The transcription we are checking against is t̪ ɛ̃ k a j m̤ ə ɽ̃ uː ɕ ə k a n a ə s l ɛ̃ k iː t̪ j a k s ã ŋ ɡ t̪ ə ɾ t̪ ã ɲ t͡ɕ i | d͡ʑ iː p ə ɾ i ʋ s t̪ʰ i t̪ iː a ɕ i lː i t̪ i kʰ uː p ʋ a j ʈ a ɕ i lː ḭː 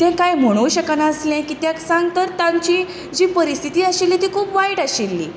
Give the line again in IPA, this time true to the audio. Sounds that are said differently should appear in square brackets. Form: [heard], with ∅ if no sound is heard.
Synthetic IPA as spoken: t̪ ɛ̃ k a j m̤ ə ɽ̃ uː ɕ ə k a n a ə s l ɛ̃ k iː t̪ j a k s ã ŋ ɡ t̪ ə ɾ t̪ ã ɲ t͡ɕ i | d͡ʑ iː p ə ɾ i [∅] s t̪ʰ i t̪ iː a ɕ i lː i t̪ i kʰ uː p ʋ a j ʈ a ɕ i lː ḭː